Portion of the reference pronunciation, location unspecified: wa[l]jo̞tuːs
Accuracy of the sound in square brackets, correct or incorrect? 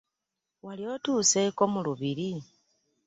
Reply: correct